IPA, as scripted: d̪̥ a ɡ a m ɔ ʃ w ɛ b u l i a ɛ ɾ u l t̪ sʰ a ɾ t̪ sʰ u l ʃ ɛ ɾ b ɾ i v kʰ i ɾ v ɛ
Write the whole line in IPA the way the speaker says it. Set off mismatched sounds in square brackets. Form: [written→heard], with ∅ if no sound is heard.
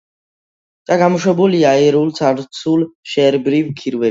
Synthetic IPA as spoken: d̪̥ a ɡ a m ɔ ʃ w ɛ b u l i a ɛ ɾ u l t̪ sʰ a ɾ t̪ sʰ u l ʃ ɛ ɾ b ɾ i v kʰ i ɾ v ɛ